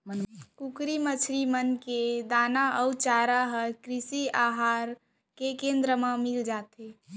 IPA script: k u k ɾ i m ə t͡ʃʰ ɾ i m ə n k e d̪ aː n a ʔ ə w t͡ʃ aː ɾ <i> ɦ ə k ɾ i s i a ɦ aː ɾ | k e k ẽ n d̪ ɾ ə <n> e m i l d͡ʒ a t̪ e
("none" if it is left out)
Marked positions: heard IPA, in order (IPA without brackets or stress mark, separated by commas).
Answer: a, m